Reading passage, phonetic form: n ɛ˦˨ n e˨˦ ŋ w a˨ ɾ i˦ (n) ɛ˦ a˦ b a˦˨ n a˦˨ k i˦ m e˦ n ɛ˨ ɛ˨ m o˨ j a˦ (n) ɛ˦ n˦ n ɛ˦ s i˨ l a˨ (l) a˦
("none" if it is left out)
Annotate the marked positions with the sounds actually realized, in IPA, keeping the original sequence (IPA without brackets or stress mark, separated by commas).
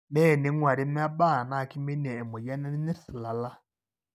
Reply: m, n, l